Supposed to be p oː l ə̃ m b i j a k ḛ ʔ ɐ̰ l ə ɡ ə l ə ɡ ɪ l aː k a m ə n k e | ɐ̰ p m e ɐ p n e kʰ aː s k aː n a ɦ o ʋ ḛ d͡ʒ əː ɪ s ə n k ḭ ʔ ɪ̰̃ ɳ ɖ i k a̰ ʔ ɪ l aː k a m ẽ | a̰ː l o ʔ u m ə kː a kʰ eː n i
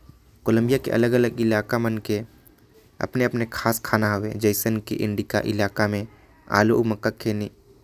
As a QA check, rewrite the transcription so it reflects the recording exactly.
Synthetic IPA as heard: k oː l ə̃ m b i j a k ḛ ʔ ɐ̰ l ə ɡ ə l ə ɡ ɪ l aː k a m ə n k e | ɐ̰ p n e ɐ p n e kʰ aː s kʰ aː n a ɦ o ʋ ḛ d͡ʒ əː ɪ s ə n k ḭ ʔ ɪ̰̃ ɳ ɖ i k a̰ ʔ ɪ l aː k a m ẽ | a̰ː l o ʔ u m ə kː a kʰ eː n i